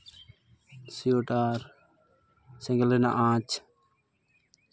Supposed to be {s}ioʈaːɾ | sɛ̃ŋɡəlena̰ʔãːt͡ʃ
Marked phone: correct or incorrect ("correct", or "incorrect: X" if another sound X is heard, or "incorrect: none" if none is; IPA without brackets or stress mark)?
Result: correct